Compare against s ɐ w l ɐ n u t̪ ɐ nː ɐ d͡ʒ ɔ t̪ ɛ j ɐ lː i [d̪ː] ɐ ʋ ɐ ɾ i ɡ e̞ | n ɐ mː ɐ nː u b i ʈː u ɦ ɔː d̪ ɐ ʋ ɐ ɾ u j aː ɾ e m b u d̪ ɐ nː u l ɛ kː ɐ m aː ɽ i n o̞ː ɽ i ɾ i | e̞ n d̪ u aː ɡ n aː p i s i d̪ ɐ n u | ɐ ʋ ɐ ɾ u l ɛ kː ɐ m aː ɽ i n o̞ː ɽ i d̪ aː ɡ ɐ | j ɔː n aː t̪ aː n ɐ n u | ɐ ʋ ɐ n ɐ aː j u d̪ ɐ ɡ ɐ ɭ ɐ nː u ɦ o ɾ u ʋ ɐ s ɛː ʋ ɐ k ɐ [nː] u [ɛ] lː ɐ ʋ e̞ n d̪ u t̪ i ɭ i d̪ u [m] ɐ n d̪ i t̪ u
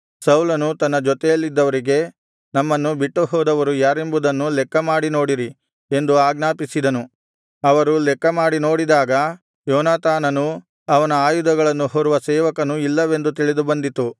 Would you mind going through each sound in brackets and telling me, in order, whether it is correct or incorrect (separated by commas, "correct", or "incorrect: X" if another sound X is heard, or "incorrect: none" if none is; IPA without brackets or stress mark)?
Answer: correct, incorrect: n, incorrect: i, incorrect: b